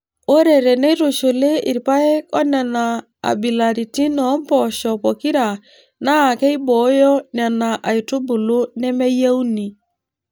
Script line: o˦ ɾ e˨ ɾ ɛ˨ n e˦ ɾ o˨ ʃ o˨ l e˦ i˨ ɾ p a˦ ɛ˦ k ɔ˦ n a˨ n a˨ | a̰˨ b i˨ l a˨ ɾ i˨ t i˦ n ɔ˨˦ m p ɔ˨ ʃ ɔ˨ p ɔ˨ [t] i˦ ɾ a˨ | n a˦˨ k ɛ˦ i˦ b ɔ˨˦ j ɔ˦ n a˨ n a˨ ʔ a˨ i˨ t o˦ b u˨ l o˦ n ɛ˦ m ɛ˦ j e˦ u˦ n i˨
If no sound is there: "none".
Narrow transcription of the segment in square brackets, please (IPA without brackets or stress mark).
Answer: k